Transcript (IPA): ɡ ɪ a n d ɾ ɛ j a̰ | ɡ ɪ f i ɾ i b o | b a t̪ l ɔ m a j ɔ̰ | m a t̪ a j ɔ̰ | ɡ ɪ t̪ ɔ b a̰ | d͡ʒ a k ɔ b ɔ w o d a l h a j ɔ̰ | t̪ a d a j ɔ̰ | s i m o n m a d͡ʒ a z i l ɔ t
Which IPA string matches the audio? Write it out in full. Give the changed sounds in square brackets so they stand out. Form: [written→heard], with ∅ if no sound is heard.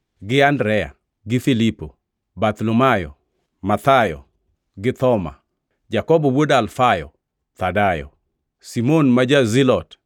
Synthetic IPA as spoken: ɡ ɪ a n d ɾ ɛ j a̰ | ɡ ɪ f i [ɾ→l] i [b→p] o | b a t̪ l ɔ m a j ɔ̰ | m a t̪ a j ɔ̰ | ɡ ɪ t̪ ɔ [b→m] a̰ | d͡ʒ a k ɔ b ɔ w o d a l [h→f] a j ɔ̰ | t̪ a d a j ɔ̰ | s i m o n m a d͡ʒ a z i l ɔ t